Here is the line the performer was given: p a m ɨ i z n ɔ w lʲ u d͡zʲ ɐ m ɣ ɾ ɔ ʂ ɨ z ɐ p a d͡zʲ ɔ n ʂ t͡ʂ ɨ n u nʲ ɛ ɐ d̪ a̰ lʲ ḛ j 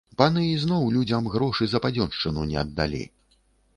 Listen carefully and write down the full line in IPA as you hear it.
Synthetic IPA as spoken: p a n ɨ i z n ɔ w lʲ u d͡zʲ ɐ m ɣ ɾ ɔ ʂ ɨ z ɐ p a d͡zʲ ɔ n ʂ t͡ʂ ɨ n u nʲ ɛ ɐ d̪ː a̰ lʲ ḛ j